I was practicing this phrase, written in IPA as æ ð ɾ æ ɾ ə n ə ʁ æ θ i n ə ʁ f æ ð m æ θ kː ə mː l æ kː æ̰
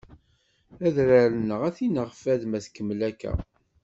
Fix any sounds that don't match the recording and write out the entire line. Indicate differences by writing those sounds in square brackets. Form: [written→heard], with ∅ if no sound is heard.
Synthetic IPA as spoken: æ ð ɾ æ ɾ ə n ə ʁ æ θ i n ə ʁ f æ ð m æ θ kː ə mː l æ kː æ̰